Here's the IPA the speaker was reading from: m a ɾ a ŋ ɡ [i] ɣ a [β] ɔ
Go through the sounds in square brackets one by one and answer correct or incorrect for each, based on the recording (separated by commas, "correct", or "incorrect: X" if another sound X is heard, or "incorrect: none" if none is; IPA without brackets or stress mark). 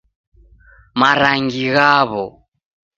correct, correct